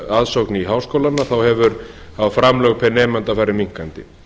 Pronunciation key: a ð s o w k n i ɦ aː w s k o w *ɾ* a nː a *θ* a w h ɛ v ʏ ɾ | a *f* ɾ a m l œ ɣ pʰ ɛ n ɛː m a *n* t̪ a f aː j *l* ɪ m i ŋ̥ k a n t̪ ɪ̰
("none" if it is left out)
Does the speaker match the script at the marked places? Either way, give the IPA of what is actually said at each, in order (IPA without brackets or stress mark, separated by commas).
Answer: l, θ, f, n, ɾ